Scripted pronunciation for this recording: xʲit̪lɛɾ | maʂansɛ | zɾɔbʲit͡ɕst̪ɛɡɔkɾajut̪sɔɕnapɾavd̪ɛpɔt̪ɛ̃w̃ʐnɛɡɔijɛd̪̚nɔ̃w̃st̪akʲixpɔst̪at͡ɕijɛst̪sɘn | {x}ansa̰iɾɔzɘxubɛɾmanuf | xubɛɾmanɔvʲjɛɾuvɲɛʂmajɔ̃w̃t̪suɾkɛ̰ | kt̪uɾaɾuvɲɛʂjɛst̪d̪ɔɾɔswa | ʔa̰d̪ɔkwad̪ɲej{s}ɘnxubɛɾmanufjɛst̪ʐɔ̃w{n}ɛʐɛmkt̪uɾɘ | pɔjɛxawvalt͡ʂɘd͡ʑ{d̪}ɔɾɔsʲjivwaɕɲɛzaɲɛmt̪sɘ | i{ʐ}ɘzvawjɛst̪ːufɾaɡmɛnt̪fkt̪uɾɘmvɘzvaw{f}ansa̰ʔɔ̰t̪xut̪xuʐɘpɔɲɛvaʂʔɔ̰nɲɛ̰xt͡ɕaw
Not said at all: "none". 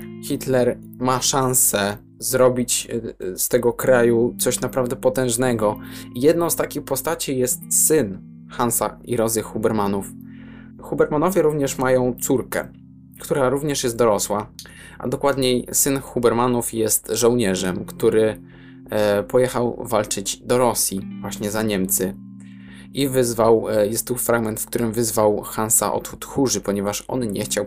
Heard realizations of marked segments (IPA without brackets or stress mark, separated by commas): x, s, ɲ, d̪, v, x